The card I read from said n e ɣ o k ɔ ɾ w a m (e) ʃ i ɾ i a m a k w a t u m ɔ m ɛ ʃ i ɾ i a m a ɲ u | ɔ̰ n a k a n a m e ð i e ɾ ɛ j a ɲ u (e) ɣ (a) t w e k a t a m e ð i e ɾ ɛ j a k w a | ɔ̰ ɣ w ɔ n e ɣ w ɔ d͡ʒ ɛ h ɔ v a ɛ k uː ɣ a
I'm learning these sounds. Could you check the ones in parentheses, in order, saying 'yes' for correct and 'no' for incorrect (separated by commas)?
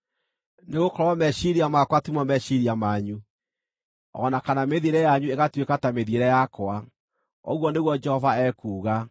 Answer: no, yes, yes